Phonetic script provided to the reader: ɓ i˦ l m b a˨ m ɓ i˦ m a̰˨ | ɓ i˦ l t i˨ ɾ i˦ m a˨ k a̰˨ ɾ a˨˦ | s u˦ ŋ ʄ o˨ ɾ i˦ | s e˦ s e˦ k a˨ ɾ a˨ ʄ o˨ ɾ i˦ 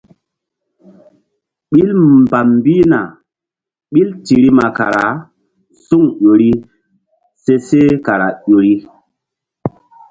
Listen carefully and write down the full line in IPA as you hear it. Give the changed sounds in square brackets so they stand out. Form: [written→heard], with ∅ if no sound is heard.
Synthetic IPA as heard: ɓ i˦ l m b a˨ m [ɓ→b] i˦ [m→n] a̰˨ | ɓ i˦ l t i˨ ɾ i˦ m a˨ k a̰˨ ɾ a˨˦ | s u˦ ŋ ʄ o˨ ɾ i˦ | s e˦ s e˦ k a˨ ɾ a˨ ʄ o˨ ɾ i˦

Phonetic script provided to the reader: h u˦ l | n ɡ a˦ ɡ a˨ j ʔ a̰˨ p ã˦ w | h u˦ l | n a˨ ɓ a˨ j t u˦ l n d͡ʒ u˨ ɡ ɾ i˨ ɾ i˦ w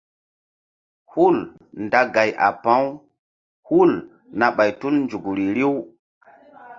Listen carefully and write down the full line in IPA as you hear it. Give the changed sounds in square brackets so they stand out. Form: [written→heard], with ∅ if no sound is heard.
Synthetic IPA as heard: h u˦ l | n [ɡ→d] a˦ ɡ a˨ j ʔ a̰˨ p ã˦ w | h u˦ l | n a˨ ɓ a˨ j t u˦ l n d͡ʒ u˨ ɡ ɾ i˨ ɾ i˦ w

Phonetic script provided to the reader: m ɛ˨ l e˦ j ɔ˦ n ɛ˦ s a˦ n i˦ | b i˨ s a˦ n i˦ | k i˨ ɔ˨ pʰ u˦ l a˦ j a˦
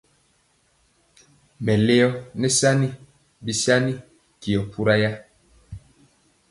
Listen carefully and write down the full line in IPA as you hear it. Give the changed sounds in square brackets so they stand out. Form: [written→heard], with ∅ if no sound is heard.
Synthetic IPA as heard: m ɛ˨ l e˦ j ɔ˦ n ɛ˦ s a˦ n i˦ | b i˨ s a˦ n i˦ | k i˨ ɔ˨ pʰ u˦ [l→ɾ] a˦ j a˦

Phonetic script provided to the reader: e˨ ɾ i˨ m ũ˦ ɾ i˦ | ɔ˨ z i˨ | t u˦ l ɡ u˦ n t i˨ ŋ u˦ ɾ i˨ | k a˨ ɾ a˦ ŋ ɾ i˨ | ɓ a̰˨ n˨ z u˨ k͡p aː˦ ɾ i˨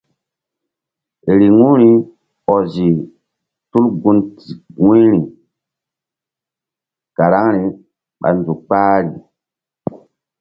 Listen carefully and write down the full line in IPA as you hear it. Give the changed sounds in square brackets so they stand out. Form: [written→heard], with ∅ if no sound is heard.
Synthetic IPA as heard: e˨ ɾ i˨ [m→ŋ] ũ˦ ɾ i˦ | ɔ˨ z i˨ | t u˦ l ɡ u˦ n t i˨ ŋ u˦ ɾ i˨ | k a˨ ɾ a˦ ŋ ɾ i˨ | ɓ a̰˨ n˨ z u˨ k͡p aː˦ ɾ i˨

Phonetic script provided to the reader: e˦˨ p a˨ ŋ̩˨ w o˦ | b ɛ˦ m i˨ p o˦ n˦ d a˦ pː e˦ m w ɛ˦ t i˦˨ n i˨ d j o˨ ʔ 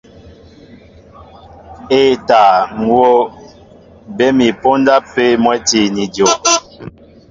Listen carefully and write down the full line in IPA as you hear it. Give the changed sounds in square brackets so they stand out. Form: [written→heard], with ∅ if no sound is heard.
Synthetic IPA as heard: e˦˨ [p→t] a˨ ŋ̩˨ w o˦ | b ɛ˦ m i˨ p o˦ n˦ d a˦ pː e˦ m w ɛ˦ t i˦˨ n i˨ d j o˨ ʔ

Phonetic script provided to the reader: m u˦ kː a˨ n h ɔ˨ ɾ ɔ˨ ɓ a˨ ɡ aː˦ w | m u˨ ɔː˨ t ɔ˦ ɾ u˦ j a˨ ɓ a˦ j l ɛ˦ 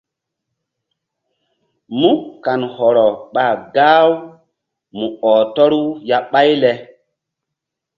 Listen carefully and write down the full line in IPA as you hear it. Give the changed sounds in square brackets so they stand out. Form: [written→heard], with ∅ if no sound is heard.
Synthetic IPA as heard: m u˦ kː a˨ n h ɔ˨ ɾ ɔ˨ ɓ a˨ ɡ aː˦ w | m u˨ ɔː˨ t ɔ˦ ɾ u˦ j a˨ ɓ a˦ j l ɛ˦

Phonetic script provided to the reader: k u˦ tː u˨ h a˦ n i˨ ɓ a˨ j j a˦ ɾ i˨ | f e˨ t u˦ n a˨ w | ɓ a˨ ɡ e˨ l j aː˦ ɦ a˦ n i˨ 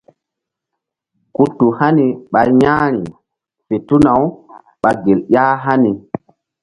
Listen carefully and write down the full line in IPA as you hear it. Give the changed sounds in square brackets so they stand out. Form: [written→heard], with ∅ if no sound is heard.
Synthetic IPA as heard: k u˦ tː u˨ h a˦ n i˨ ɓ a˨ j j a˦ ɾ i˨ | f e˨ t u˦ n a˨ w | ɓ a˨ ɡ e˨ l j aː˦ ɦ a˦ n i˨

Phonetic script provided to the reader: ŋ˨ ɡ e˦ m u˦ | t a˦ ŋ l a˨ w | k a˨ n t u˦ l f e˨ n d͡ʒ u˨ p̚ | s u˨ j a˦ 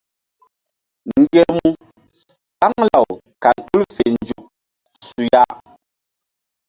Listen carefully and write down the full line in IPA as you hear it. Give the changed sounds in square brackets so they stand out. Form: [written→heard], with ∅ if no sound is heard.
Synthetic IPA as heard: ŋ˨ ɡ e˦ m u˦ | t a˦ ŋ l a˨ w | k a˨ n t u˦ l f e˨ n d͡ʒ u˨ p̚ | s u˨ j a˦

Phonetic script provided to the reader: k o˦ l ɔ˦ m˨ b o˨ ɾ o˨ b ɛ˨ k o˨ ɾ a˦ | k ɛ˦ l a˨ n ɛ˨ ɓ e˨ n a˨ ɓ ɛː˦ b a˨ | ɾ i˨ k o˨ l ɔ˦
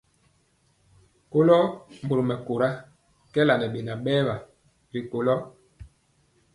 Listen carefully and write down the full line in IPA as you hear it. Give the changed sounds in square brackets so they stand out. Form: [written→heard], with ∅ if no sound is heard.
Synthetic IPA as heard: k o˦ l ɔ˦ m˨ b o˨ ɾ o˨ [b→m] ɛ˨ k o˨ ɾ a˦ | k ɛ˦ l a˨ n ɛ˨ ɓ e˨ n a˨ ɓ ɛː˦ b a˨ | ɾ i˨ k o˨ l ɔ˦

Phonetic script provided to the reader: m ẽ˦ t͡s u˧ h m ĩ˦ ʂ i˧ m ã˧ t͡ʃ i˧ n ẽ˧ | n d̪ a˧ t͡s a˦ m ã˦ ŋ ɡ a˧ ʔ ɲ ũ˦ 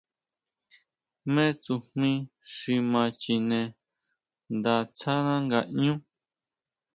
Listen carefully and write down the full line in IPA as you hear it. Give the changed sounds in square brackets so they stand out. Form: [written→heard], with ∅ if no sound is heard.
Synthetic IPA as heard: m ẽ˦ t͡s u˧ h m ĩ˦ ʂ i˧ m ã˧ t͡ʃ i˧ n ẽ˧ | n d̪ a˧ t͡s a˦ [m→n] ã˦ ŋ ɡ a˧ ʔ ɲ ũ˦

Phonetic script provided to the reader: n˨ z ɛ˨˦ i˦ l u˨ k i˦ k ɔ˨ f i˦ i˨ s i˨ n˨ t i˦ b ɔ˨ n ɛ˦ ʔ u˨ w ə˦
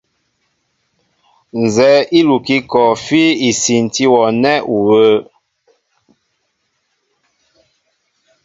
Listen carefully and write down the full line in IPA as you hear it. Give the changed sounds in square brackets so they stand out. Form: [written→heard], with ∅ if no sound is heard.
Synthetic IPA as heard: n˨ z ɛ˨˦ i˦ l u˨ k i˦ k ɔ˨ f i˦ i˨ s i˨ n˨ t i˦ [b→w] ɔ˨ n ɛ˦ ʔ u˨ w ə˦

